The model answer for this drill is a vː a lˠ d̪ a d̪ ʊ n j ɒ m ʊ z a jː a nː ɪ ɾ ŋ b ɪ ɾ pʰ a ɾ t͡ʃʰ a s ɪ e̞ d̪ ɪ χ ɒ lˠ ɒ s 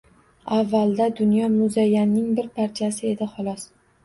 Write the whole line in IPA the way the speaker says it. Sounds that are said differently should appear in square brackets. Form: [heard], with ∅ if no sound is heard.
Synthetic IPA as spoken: a vː a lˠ d̪ a d̪ ʊ n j ɒ m ʊ z a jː a nː ɪ [∅] ŋ b ɪ ɾ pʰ a ɾ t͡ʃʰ a s ɪ e̞ d̪ ɪ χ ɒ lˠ ɒ s